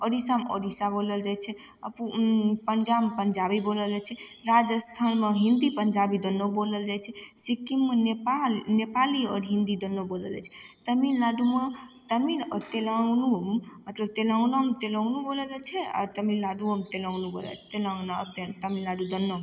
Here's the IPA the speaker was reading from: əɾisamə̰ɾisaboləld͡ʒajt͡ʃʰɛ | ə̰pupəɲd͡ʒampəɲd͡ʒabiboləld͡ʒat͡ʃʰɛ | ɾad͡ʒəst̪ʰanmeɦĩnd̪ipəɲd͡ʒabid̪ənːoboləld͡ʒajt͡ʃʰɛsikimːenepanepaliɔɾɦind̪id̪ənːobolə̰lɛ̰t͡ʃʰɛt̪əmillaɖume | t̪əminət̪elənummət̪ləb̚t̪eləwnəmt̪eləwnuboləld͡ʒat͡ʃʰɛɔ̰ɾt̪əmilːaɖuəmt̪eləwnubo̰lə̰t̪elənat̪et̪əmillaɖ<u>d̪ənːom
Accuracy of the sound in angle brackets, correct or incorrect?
correct